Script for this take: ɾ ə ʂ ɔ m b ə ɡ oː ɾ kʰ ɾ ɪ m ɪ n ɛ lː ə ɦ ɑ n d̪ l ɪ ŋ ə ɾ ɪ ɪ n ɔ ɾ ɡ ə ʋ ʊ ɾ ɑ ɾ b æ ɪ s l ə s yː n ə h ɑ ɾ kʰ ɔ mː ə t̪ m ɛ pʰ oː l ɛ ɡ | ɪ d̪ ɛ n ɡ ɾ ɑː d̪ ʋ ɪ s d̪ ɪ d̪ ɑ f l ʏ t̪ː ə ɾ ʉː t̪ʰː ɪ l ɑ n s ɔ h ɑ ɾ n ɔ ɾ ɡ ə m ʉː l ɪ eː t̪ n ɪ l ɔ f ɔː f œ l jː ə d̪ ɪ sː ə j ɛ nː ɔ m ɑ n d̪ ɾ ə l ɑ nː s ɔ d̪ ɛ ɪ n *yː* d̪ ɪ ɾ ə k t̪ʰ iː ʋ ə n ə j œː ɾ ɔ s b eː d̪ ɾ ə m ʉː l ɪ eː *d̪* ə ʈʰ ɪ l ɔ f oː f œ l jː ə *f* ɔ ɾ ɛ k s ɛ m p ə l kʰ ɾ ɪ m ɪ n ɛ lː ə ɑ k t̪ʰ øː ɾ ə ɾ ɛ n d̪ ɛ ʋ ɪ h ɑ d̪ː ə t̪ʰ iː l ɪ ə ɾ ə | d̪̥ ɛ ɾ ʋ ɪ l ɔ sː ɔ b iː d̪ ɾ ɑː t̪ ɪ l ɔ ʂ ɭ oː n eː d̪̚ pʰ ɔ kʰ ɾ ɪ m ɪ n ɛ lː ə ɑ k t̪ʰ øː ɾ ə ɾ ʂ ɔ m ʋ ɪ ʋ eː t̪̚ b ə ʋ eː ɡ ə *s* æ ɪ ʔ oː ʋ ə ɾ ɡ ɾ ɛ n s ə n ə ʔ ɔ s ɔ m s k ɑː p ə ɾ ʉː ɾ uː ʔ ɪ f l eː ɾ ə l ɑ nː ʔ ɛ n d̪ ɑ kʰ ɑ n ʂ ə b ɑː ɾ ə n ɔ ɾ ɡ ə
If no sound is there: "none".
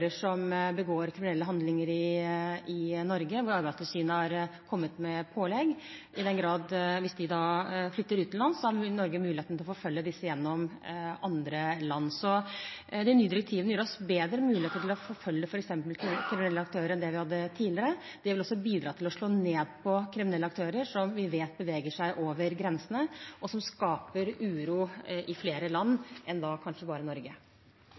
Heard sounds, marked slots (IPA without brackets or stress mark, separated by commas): yː, t̪, f, ʂ